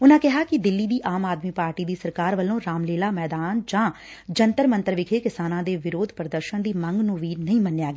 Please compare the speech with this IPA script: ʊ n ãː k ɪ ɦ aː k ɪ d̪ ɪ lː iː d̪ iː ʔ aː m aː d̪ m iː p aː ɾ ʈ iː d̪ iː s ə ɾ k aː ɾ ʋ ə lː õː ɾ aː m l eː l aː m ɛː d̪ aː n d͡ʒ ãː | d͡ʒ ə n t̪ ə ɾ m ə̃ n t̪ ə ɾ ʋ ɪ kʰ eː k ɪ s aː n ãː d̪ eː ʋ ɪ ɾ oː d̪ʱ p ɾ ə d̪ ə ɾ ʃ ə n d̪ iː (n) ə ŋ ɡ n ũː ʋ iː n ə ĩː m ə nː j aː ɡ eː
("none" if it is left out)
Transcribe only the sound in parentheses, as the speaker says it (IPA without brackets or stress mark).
m